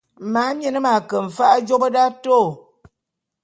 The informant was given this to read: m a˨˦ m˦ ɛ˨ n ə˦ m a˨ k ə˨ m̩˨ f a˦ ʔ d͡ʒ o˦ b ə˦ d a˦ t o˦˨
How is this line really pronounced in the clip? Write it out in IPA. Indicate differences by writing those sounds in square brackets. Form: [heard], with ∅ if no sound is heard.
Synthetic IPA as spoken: m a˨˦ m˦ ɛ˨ n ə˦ m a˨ k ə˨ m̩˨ f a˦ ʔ d͡ʒ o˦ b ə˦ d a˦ t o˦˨